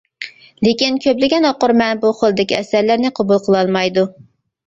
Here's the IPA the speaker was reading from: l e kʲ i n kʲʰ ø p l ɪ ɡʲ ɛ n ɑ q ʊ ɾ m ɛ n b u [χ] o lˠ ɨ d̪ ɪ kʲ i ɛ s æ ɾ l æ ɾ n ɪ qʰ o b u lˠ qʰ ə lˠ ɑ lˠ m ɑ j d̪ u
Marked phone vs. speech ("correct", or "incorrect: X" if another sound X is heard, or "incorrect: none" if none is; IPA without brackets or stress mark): correct